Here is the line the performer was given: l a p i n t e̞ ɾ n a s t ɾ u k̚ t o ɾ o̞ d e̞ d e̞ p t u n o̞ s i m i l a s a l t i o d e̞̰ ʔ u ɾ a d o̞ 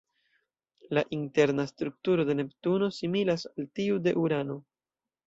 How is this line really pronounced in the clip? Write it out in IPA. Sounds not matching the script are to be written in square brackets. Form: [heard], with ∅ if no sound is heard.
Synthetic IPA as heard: l a [ʔ] i n t e̞ ɾ n a s t ɾ u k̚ t [u] ɾ o̞ d e̞ [n] e̞ p t u n o̞ s i m i l a s a l t i [u] d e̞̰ ʔ u ɾ a [n] o̞